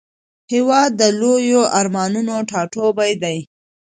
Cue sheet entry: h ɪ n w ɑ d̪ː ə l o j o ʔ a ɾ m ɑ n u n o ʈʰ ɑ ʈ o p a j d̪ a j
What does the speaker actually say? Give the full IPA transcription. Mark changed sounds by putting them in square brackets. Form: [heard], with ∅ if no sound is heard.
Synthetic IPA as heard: h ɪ [∅] w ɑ d̪ː ə l o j o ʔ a ɾ m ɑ n u n o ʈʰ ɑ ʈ o [b] a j d̪ a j

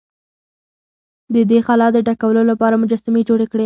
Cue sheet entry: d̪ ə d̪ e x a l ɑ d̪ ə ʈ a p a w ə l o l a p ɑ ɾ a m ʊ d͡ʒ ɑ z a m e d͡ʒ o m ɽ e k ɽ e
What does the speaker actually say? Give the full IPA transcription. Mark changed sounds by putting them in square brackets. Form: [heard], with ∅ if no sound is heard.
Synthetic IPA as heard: d̪ ə d̪ e x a l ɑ d̪ ə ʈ a [k] a w ə l o l a p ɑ ɾ a m ʊ d͡ʒ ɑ [s] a m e d͡ʒ o [∅] ɽ e k ɽ e

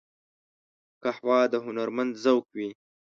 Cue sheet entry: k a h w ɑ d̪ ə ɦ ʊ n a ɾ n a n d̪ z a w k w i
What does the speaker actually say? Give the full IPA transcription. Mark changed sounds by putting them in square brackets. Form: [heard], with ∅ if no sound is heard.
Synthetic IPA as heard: k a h w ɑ d̪ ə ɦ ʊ n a ɾ [m] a n d̪ z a w k w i

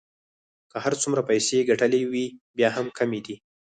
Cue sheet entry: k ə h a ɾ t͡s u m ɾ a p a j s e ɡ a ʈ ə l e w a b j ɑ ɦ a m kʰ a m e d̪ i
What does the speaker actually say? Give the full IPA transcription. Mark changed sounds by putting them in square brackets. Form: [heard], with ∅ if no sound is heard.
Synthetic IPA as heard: k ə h a ɾ t͡s u m ɾ a p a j s e ɡ a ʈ ə l e w [i] b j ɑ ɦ a m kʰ a m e d̪ i

